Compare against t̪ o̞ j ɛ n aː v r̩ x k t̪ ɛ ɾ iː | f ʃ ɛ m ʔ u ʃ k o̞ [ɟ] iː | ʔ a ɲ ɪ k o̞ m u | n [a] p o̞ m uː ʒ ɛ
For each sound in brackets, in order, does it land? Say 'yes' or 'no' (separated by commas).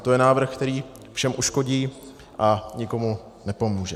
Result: yes, no